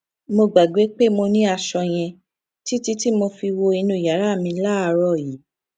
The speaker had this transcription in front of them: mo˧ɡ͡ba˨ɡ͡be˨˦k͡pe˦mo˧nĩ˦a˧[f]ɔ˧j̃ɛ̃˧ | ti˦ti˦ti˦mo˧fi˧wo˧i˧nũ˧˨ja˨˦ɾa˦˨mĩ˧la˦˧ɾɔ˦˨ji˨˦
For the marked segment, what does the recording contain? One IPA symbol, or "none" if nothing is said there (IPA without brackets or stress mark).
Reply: ʃ